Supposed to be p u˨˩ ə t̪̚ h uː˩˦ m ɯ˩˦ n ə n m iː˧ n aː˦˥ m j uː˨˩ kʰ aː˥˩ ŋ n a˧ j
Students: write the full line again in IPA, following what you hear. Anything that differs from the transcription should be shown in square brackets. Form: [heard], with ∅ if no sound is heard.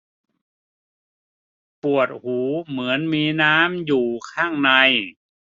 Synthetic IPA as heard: p u˨˩ ə t̪̚ h uː˩˦ m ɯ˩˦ [∅] ə n m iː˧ n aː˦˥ m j uː˨˩ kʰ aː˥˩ ŋ n a˧ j